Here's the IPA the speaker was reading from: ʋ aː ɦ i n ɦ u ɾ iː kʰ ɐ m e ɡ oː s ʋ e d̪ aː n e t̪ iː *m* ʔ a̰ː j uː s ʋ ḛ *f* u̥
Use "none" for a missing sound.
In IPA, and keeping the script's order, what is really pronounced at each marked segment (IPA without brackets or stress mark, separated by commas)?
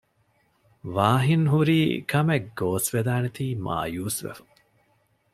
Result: m, f